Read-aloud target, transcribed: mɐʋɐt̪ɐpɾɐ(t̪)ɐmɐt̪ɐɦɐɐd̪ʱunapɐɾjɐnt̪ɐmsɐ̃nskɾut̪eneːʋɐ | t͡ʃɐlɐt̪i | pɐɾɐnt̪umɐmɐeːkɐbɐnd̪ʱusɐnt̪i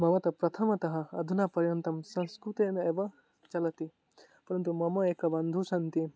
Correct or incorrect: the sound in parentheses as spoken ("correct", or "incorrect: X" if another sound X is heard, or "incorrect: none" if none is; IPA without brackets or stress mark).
incorrect: t̪ʰ